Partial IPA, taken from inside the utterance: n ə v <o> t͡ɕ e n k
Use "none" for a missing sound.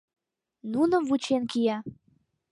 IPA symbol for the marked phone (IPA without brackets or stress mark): u